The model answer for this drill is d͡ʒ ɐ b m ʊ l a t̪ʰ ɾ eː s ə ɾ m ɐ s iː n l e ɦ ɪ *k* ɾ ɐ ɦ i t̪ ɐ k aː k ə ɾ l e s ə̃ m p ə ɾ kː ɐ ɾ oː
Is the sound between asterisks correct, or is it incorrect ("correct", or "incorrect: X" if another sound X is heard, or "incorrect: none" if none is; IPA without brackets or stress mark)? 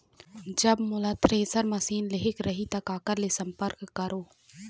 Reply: correct